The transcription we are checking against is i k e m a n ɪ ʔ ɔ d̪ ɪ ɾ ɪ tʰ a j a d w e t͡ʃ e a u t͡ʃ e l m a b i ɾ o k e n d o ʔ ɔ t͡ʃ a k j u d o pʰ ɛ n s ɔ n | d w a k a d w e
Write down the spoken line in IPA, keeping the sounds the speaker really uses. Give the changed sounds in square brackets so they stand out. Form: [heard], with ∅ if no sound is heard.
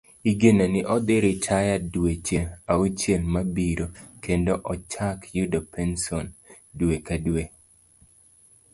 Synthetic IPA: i [ɡ] e [n] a n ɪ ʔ ɔ d̪ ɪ ɾ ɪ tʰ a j a d w e t͡ʃ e a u t͡ʃ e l m a b i ɾ o k e n d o ʔ ɔ t͡ʃ a k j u d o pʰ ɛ n s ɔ n | d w [e] k a d w e

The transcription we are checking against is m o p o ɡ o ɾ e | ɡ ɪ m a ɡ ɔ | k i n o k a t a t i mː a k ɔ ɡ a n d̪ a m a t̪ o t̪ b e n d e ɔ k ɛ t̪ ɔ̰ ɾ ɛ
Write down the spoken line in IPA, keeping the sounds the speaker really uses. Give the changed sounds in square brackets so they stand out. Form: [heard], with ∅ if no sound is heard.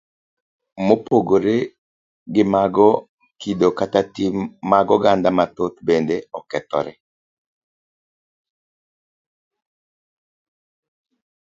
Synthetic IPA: m o p o ɡ o ɾ e | ɡ ɪ m a ɡ ɔ | k i [d] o k a t a t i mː a [ɡ] ɔ ɡ a n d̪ a m a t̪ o t̪ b e n d e ɔ k ɛ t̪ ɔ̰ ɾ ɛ

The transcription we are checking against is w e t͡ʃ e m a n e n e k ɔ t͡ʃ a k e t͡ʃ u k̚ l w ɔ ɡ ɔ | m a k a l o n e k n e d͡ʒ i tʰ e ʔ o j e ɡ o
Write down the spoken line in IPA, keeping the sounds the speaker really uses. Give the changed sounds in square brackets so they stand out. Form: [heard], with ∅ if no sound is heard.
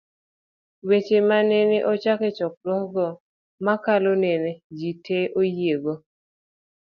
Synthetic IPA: w e t͡ʃ e m a n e n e [ʔ] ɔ t͡ʃ a k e t͡ʃ [ɔ] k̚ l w ɔ ɡ ɔ | m a k a l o n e [∅] n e d͡ʒ i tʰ e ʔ o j e ɡ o

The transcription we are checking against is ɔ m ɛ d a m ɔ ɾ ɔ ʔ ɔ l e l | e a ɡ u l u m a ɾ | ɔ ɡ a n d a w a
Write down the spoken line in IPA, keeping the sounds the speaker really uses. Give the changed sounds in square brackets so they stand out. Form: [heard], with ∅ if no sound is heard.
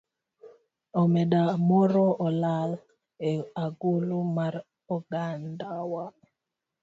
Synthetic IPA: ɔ m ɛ d a m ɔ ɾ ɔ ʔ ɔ l [a] l | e a ɡ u l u m a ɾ | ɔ ɡ a n d a w a

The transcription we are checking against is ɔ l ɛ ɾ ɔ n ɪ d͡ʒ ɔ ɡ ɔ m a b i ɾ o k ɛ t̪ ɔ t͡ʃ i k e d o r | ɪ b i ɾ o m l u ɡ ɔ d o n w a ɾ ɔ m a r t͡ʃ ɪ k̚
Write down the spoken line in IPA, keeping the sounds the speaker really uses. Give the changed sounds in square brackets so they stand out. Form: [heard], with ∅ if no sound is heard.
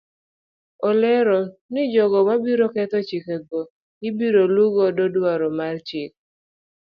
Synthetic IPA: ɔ l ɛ ɾ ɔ n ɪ d͡ʒ ɔ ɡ ɔ m a b i ɾ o k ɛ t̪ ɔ t͡ʃ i k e [ɡ] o [∅] | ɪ b i ɾ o [∅] l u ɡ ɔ d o [d] w a ɾ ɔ m a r t͡ʃ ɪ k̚

